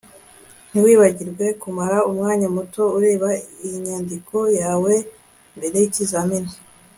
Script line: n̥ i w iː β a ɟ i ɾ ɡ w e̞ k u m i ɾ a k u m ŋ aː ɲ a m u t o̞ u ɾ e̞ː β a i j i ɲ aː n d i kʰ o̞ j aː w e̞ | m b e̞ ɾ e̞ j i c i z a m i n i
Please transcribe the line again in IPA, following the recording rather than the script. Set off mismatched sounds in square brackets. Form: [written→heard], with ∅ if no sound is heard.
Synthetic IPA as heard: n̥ i w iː β a ɟ i ɾ ɡ w e̞ k u m [i→a] ɾ a [k→∅] u m ŋ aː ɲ a m u t o̞ u ɾ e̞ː β a i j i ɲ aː n d i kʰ o̞ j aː w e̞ | m b e̞ ɾ e̞ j i c i z a m i n i